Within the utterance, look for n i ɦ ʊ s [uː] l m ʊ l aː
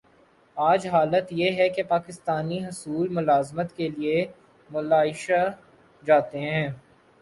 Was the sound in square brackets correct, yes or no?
yes